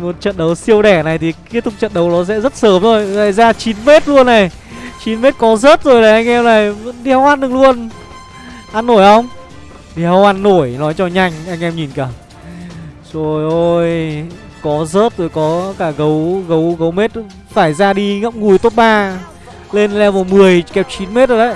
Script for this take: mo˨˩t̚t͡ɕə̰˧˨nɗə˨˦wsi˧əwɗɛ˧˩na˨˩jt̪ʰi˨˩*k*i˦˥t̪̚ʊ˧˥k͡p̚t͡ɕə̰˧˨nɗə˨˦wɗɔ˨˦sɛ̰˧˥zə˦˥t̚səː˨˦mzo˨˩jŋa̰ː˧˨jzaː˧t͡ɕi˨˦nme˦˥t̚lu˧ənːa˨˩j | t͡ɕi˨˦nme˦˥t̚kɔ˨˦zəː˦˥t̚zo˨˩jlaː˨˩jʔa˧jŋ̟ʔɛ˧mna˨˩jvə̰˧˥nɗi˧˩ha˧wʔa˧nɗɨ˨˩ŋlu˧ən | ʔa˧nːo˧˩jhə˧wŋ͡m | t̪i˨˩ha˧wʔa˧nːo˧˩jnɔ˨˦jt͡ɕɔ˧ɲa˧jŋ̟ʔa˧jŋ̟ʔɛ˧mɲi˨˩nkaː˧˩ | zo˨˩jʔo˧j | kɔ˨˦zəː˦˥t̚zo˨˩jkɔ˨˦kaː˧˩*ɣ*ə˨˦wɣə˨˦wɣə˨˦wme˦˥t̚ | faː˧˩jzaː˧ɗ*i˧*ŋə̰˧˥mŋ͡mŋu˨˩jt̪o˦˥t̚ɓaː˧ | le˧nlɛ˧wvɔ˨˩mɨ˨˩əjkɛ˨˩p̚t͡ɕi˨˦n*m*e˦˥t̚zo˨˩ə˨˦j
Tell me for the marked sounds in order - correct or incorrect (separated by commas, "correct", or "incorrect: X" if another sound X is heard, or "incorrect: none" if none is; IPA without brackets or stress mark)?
correct, correct, correct, correct